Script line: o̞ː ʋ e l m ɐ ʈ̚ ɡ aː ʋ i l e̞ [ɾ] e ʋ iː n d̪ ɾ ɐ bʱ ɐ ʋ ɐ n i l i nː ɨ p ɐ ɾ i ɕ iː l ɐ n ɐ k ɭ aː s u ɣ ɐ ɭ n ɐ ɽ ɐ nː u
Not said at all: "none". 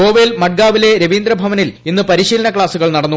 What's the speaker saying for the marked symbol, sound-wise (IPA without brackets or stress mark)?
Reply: ɾ